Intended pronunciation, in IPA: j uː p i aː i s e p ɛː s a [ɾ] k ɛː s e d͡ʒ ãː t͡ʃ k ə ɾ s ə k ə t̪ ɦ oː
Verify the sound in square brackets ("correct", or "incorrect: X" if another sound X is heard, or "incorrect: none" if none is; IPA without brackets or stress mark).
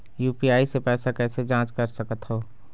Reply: incorrect: none